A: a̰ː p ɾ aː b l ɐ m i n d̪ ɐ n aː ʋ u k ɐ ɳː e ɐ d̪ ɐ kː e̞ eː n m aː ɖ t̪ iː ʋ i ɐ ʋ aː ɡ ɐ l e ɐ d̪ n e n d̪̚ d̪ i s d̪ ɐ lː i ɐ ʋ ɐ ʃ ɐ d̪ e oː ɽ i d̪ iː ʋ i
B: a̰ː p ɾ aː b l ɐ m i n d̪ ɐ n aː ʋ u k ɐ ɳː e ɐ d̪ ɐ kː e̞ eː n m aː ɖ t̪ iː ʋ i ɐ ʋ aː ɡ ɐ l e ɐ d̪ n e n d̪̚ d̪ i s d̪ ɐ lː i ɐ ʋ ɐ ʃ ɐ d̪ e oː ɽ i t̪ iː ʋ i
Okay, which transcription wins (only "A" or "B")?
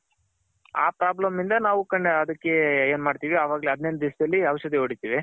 B